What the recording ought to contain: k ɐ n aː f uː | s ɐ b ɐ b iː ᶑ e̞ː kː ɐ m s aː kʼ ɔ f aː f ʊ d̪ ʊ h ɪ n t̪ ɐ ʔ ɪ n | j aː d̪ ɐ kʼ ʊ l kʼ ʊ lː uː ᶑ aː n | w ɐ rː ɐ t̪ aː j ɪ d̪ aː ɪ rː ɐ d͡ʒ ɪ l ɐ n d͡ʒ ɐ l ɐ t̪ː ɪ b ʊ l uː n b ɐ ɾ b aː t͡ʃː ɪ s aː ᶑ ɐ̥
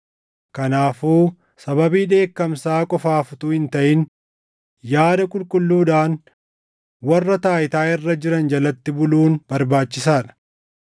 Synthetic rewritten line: k ɐ n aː f uː | s ɐ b ɐ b iː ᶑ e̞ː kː ɐ m s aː kʼ ɔ f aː f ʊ t̪ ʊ h ɪ n t̪ ɐ ʔ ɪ n | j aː d̪ ɐ kʼ ʊ l kʼ ʊ lː uː ᶑ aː n | w ɐ rː ɐ t̪ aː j ɪ t̪ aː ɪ rː ɐ d͡ʒ ɪ ɾ ɐ n d͡ʒ ɐ l ɐ t̪ː ɪ b ʊ l uː n b ɐ ɾ b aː t͡ʃː ɪ s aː ᶑ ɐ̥